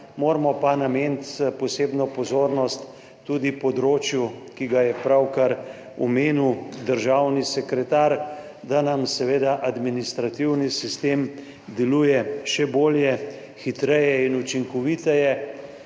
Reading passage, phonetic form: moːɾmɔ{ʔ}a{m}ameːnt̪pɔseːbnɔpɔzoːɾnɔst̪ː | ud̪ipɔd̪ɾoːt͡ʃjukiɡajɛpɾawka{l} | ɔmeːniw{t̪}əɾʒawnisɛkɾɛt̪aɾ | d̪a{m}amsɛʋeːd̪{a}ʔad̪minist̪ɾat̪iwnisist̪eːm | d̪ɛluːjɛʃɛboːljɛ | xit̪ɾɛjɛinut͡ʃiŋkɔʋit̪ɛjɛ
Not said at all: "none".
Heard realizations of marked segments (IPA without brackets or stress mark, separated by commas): p, n, ɾ, d̪, n, a